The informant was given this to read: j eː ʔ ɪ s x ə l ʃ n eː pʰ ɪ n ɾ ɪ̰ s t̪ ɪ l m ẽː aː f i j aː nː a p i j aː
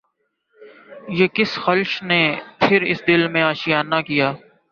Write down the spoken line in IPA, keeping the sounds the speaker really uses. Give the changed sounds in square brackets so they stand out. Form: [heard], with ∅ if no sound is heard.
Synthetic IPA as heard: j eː [k] ɪ s x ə l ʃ n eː pʰ ɪ [∅] ɾ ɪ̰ s [d̪] ɪ l m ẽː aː [ʃ] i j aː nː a [k] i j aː

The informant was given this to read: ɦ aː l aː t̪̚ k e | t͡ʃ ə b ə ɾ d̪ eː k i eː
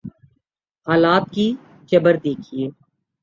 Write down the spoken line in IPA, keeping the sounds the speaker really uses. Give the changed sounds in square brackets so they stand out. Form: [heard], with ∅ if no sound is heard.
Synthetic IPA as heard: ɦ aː l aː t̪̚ k [i] | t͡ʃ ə b ə ɾ d̪ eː [kʰ] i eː

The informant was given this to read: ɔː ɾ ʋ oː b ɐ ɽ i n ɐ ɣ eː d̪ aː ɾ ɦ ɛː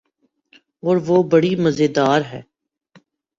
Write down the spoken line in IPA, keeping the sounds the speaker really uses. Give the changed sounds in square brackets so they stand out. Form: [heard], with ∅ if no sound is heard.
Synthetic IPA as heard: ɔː ɾ ʋ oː b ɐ ɽ i [m] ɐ [z] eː d̪ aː ɾ ɦ ɛː

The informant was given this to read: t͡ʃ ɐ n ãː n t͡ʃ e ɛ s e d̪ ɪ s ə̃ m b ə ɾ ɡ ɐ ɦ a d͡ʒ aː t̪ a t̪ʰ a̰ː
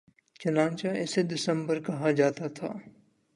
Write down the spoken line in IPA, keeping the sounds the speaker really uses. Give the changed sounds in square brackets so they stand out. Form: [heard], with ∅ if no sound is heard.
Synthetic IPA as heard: t͡ʃ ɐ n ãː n t͡ʃ [a] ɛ s e d̪ ɪ s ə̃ m b ə ɾ [k] ɐ ɦ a d͡ʒ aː t̪ a t̪ʰ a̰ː

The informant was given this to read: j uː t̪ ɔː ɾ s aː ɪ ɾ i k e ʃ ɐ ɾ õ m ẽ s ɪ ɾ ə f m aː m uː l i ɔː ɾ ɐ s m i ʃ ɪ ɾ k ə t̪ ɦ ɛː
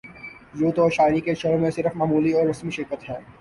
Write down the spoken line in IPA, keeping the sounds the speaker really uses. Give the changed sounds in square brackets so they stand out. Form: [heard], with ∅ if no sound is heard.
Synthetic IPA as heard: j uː t̪ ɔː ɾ [ʃ] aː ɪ ɾ i k e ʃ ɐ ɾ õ m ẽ s ɪ ɾ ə f m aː m uː l i ɔː ɾ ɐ s m i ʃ ɪ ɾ k ə t̪ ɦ ɛː

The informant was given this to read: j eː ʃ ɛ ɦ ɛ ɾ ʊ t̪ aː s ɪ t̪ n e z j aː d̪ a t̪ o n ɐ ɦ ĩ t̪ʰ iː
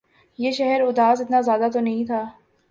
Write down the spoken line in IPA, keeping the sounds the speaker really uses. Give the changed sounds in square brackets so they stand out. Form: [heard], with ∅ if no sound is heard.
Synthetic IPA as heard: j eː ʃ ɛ ɦ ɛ ɾ ʊ [d̪] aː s ɪ t̪ n [a] z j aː d̪ a t̪ o n ɐ ɦ ĩ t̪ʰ [aː]

